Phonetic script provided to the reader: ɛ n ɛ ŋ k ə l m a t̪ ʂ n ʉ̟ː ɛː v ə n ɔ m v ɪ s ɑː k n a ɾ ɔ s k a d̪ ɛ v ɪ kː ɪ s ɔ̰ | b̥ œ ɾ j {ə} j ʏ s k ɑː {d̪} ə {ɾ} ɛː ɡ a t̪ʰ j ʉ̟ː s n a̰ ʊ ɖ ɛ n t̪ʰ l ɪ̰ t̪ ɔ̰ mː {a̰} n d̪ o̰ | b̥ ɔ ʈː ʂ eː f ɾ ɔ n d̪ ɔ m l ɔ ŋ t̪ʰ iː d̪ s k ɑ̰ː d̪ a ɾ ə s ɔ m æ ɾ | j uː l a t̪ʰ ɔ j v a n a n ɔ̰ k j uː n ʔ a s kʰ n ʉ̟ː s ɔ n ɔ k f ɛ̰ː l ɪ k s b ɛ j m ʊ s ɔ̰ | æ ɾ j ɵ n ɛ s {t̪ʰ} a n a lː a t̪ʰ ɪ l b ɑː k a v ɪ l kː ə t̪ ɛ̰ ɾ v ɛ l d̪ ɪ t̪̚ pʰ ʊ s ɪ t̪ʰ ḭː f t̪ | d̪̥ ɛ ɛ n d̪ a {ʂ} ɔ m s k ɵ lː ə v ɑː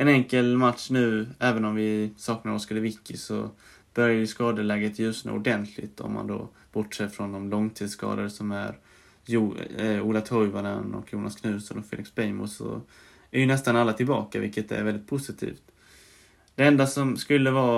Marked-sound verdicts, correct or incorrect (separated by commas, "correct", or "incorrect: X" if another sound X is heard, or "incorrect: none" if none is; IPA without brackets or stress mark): incorrect: a, correct, incorrect: l, correct, incorrect: t̪, incorrect: s